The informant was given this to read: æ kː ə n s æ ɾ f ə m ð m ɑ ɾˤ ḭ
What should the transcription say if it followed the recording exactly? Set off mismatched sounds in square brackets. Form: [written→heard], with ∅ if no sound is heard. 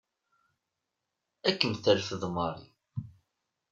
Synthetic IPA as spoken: æ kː ə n [s→θ] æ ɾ f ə [m→∅] ð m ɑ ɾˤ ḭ